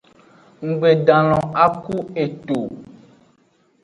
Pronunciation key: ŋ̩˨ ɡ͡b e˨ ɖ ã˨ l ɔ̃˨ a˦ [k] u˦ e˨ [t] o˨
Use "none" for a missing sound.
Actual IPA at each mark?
k, t

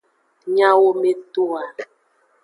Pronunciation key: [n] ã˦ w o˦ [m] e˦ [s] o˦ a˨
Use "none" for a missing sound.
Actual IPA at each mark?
ɲ, m, t

